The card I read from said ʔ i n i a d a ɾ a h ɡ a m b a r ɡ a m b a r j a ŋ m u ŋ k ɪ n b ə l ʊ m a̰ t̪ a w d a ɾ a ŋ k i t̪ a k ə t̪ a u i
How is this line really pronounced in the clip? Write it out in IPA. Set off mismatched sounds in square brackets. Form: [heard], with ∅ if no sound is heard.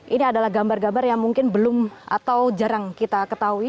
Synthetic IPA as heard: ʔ i n i a d a [l] a h ɡ a m b a r ɡ a m b a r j a ŋ m u ŋ k ɪ n b ə l ʊ m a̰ t̪ a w [d͡ʒ] a ɾ a ŋ k i t̪ a k ə t̪ a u i